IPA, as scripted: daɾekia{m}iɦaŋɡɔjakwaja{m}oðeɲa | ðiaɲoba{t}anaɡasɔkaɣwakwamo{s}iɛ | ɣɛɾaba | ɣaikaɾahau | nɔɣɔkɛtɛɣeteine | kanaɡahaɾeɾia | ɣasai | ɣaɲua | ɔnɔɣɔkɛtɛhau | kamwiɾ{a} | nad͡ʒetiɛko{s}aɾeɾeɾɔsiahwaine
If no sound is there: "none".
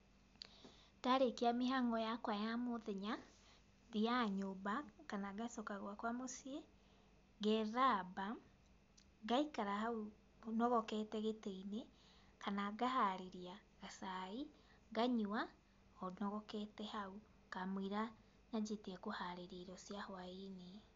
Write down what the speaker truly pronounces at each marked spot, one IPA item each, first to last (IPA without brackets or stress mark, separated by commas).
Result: m, m, k, s, a, h